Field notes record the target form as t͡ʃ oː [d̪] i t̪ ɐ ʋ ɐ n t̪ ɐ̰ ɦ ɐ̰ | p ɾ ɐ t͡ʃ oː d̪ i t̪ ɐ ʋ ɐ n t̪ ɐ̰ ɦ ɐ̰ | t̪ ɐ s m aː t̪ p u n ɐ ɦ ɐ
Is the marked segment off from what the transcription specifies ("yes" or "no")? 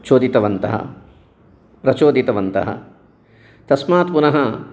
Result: no